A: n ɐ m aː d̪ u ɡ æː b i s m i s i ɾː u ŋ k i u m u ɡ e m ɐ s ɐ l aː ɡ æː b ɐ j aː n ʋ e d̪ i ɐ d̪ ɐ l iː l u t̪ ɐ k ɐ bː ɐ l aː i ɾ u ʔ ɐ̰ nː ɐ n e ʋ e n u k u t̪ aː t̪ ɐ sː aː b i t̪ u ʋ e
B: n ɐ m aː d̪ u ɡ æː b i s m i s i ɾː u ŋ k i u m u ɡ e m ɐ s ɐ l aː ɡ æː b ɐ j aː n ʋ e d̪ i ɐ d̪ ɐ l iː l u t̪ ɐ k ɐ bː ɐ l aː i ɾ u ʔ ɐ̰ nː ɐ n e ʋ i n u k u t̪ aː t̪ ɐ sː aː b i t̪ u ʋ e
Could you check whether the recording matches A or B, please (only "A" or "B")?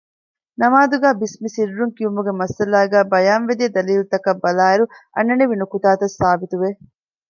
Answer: B